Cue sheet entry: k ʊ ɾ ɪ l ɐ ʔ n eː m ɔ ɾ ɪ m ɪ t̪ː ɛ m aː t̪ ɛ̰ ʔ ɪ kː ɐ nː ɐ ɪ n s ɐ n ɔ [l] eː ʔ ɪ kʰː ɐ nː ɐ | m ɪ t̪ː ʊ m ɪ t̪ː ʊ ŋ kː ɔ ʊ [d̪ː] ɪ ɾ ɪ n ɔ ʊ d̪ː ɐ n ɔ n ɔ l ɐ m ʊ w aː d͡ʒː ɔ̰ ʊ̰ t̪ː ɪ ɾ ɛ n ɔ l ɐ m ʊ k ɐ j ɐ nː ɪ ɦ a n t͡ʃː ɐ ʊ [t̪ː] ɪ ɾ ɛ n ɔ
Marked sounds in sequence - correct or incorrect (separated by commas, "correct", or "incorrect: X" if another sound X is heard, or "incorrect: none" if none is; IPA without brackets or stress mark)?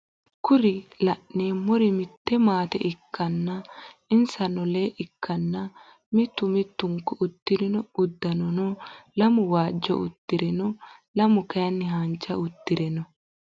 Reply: correct, incorrect: t̪ː, correct